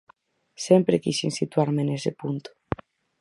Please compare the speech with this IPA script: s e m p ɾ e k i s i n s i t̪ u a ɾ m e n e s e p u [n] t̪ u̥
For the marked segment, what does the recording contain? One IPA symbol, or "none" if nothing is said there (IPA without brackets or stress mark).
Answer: n